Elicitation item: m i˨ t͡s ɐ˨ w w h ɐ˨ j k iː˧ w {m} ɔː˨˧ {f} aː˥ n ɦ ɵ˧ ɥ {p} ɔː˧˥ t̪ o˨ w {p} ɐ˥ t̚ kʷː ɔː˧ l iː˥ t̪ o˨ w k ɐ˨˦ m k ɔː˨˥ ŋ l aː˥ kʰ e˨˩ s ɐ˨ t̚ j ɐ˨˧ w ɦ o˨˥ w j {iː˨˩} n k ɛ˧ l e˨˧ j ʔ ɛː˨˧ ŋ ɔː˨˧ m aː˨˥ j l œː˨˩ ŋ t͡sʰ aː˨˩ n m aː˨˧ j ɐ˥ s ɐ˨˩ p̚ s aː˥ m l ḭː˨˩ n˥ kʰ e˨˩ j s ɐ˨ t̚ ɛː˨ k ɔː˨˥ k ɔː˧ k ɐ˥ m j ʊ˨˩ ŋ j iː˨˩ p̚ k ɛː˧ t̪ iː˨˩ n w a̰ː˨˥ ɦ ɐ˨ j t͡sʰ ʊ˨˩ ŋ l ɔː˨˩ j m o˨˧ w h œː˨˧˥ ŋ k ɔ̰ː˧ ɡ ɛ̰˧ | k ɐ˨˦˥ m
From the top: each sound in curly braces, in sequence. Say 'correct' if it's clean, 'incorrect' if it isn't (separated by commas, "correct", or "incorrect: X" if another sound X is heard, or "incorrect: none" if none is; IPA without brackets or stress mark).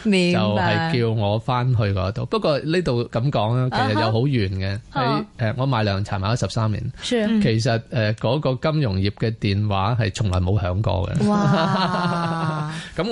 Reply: incorrect: ŋ, correct, incorrect: k, correct, incorrect: yː˨˩